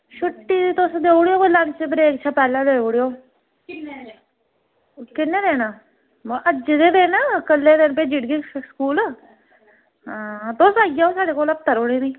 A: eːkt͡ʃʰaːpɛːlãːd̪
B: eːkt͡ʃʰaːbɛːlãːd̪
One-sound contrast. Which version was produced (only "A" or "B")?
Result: A